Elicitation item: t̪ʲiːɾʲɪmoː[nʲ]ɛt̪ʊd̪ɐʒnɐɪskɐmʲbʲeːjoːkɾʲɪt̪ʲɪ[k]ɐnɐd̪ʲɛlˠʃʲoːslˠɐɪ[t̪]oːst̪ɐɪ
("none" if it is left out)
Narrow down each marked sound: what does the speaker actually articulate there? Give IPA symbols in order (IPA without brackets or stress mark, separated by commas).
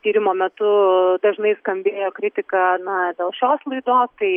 mʲ, k, d̪